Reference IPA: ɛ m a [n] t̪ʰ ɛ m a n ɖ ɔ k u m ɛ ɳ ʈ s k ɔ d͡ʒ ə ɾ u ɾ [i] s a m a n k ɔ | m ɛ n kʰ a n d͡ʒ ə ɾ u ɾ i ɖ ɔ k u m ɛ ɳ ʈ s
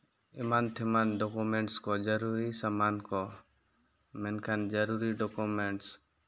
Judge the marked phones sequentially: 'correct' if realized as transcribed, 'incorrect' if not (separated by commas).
correct, correct